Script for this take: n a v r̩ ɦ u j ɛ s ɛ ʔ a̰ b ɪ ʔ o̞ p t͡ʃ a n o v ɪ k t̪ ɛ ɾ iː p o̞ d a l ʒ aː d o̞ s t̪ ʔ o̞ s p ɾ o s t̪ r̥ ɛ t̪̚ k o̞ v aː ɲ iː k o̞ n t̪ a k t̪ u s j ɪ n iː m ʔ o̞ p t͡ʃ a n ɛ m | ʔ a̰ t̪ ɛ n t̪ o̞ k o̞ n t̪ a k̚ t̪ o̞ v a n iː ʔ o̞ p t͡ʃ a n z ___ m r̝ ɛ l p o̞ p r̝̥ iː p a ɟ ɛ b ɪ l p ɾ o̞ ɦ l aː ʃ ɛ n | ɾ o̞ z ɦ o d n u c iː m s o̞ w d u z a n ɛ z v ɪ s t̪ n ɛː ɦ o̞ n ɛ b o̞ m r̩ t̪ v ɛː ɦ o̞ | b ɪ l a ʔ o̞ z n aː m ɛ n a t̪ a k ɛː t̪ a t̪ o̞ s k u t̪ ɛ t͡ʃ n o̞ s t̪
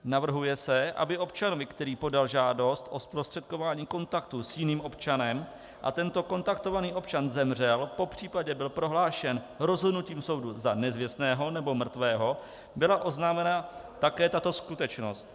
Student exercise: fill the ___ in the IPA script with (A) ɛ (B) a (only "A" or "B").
A